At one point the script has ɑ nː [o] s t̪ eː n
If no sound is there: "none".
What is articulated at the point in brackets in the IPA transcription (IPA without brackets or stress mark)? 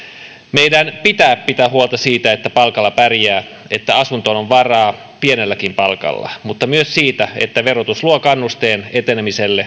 u